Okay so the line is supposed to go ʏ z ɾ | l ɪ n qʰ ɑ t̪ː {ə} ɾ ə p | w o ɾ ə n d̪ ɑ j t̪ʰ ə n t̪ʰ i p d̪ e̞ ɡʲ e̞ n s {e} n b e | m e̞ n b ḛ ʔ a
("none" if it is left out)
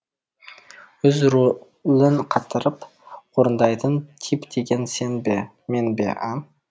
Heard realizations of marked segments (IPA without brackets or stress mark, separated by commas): ə, e